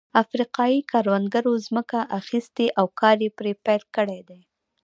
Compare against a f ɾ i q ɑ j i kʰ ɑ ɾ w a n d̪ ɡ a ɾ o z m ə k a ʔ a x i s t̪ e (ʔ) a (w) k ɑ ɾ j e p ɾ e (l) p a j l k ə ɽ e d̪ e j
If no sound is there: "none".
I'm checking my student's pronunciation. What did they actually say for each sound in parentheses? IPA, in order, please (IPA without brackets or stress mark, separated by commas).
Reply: ʔ, w, none